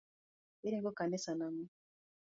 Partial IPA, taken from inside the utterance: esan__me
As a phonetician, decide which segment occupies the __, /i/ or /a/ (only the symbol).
a